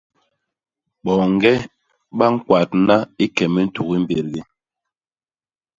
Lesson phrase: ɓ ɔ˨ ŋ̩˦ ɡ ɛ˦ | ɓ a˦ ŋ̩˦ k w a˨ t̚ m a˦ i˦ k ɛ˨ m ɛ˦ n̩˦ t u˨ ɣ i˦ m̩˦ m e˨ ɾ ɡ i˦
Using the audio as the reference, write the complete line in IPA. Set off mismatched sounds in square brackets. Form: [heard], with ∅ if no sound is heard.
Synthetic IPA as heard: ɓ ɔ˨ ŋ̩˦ ɡ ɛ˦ | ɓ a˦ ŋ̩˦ k w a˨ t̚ [n] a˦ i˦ k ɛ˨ m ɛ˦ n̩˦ t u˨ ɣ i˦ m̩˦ [b] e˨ ɾ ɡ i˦

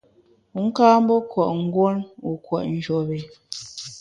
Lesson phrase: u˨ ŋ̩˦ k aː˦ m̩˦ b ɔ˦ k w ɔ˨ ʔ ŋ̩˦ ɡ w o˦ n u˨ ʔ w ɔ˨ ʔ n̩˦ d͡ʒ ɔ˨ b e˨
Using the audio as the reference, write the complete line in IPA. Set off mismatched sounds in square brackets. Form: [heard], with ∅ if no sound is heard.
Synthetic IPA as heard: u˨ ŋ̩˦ k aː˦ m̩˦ b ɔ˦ k w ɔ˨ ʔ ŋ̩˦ ɡ w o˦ n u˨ [k] w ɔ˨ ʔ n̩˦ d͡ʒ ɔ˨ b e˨

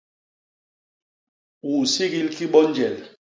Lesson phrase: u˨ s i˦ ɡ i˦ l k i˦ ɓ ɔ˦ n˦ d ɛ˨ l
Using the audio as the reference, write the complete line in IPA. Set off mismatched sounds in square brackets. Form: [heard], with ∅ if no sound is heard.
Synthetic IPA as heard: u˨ s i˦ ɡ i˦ l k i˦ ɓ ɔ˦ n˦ [d͡ʒ] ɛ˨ l

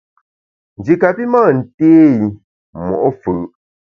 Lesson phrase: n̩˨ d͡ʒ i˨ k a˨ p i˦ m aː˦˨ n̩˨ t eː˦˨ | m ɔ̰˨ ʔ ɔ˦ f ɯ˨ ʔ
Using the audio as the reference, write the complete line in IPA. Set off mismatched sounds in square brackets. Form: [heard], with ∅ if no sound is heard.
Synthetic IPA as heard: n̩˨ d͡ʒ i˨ k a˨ p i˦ m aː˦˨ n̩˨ t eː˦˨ | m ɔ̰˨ ʔ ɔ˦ f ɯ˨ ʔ

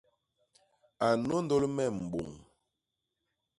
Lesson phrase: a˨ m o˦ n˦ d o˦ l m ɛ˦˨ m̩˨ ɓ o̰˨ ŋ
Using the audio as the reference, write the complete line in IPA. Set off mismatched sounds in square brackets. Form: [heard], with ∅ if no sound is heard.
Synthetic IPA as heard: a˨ [n] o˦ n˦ d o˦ l m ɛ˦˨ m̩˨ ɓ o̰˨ ŋ

